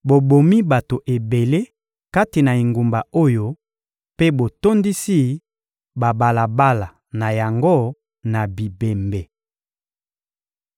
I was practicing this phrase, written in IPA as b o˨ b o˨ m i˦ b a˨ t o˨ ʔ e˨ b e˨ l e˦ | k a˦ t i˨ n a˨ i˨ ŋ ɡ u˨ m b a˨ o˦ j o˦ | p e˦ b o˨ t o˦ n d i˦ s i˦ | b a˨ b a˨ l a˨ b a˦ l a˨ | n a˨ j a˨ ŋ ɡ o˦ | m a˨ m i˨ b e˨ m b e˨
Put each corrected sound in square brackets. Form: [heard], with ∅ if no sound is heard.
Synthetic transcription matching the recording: b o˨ b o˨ m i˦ b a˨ t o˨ ʔ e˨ b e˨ l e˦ | k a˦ t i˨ n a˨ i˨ ŋ ɡ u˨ m b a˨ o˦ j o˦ | p e˦ b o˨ t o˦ n d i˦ s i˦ | b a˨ b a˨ l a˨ b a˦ l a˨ | n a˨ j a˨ ŋ ɡ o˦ | [n] a˨ [b] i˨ b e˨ m b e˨